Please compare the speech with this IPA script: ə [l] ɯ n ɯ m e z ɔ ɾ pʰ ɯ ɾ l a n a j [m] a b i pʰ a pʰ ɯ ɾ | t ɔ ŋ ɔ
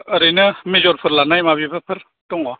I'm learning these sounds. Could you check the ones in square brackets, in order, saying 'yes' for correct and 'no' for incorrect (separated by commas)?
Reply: no, yes